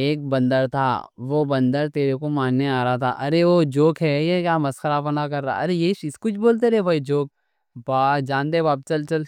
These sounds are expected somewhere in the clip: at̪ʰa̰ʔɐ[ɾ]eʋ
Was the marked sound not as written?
no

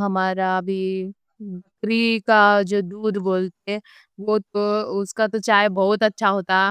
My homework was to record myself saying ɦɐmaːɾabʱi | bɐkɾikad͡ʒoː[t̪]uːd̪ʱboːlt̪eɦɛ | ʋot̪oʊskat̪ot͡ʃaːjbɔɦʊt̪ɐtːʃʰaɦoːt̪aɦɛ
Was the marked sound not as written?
yes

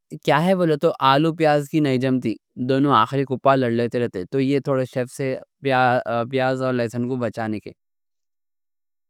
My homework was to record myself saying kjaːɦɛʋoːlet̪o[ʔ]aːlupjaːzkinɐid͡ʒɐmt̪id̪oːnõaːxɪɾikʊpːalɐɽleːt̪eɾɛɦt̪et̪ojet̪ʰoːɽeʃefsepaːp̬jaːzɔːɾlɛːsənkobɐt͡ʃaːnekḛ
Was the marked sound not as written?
no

